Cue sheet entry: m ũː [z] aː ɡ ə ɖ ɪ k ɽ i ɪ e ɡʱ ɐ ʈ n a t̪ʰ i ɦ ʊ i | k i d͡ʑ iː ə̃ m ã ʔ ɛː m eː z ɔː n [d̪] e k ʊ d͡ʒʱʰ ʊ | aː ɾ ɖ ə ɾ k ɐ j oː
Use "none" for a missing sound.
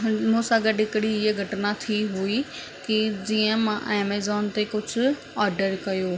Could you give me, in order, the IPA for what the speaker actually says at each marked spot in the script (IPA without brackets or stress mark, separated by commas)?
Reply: s, t̪